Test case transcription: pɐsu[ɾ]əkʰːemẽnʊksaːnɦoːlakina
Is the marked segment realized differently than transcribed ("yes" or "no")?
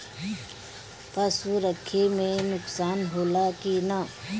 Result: no